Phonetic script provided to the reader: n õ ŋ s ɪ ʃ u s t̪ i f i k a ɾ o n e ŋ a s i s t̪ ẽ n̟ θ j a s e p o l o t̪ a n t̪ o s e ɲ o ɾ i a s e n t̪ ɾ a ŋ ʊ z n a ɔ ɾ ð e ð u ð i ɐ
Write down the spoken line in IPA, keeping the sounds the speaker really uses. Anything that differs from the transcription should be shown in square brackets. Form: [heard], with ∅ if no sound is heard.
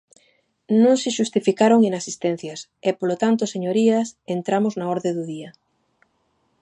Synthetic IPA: n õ ŋ s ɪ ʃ u s t̪ i f i k a ɾ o [ŋ] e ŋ a s i s t̪ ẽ n̟ θ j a s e p o l o t̪ a n t̪ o s e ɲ o ɾ i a s e n t̪ ɾ a [m] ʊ z n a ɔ ɾ ð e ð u ð i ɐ

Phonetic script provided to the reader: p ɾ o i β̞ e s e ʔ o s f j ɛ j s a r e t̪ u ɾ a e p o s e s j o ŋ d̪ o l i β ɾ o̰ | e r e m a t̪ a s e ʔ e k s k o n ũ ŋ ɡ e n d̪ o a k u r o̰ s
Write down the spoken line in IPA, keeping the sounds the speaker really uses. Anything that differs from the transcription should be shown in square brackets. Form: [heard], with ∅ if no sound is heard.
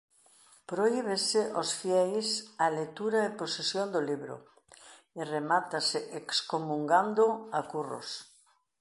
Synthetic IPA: p ɾ o i β̞ e s e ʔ o s f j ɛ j s a [l] e t̪ u ɾ a e p o s e s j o [n] d̪ o l i β ɾ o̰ | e r e m a t̪ a s e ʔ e k s k o [m] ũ ŋ ɡ [a] n d̪ o a k u r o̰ s

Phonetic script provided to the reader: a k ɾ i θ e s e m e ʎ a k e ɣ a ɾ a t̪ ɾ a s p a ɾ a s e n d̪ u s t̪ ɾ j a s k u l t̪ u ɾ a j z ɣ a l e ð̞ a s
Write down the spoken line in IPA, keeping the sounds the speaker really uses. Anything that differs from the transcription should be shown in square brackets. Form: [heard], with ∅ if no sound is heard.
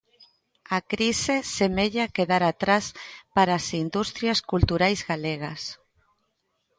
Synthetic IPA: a k ɾ i [s] e s e m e ʎ a k e [ð] a ɾ a t̪ ɾ a s p a ɾ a s [i] n d̪ u s t̪ ɾ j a s k u l t̪ u ɾ a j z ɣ a l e [ɣ̞] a s

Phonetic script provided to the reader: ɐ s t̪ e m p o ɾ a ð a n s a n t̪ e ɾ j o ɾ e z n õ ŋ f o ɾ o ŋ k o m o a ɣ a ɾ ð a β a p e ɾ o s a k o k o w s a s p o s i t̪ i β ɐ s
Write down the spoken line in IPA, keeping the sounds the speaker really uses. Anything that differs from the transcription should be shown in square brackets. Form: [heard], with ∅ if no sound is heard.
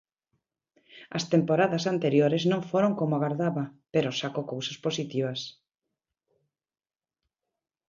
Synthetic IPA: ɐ s t̪ e m p o ɾ a ð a [∅] s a n t̪ e ɾ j o ɾ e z n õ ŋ f o ɾ o ŋ k o m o a ɣ a ɾ ð a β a p e ɾ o s a k o k o w s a s p o s i t̪ i β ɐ s

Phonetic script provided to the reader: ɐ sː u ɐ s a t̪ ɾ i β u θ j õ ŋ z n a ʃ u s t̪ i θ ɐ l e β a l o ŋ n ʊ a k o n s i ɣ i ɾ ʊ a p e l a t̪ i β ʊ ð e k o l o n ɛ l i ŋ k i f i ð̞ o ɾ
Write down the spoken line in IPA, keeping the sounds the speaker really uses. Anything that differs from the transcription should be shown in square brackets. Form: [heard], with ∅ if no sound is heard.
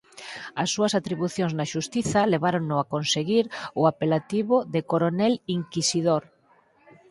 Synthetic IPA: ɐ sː u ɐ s a t̪ ɾ i β u θ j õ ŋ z n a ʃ u s t̪ i θ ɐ l e β a [ɾ] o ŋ n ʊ a k o n s [e] ɣ i ɾ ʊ a p e l a t̪ i β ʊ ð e k o [ɾ] o n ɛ l i ŋ k i [s] i ð̞ o ɾ

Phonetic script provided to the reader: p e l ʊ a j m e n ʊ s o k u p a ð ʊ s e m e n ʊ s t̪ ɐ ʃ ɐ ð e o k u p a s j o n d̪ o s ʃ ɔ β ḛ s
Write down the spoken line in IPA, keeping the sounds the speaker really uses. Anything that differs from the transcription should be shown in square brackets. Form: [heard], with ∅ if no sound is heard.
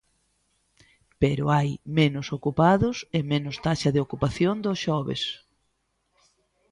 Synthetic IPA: p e [ɾ] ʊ a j m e n ʊ s o k u p a ð ʊ s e m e n ʊ s t̪ [a] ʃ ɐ ð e o k u p a [θ] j o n d̪ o s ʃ ɔ β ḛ s

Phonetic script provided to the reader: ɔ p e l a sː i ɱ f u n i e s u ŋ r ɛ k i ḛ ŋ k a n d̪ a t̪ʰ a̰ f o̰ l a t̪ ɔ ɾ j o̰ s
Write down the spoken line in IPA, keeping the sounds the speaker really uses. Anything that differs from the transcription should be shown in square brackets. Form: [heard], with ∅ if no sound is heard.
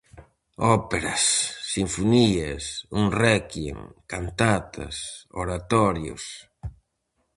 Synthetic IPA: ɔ p e [ɾ] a sː i ɱ f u n i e s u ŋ r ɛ k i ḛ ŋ k a n [t̪] a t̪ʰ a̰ [s] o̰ [ɾ] a t̪ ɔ ɾ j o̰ s

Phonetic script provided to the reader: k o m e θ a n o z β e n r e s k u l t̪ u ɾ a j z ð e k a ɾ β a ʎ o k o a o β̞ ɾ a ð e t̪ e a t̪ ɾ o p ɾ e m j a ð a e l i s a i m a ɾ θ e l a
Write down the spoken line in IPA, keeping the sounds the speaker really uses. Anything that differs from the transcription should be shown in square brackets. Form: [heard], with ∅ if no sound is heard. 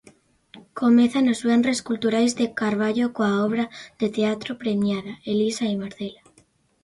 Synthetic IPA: k o m e θ a n o z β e n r e s k u l t̪ u ɾ a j z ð e k a ɾ β a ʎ o k o a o β̞ ɾ a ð e t̪ e a t̪ ɾ o p ɾ e m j a ð a e l i s a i m a ɾ θ e l a

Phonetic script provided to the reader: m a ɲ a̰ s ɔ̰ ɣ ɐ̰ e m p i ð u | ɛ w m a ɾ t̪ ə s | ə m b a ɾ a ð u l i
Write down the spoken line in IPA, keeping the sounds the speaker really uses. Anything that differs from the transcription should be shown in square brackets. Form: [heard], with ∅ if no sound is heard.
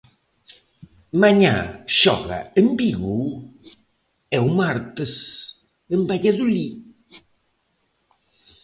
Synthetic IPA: m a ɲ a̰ [ʃ] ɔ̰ ɣ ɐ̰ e m [b] i [ɣ] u | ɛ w m a ɾ t̪ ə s | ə m b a [ʎ] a ð u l i

